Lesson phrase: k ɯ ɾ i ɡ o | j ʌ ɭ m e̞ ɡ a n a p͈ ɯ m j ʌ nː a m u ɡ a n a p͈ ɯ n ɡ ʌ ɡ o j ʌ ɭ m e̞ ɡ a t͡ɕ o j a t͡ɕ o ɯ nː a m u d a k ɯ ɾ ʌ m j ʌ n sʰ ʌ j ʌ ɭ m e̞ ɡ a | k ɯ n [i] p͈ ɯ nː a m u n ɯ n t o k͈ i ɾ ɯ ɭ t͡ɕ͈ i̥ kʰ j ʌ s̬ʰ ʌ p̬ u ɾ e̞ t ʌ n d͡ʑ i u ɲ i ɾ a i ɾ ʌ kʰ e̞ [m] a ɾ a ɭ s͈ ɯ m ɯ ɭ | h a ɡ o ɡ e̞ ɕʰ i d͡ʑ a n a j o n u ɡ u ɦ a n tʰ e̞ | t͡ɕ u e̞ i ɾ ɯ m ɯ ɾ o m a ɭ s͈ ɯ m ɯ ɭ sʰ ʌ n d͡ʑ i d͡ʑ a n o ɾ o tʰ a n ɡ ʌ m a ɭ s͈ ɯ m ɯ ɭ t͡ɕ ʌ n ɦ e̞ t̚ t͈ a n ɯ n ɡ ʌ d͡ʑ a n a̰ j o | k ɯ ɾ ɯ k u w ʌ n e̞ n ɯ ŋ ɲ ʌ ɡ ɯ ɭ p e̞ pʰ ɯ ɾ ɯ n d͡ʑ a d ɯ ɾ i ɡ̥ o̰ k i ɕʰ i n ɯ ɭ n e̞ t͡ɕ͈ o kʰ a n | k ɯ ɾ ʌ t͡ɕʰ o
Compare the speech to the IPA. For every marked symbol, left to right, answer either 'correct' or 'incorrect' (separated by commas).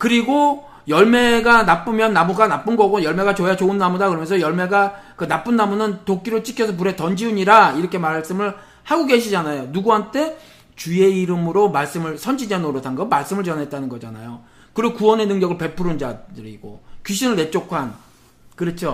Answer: incorrect, correct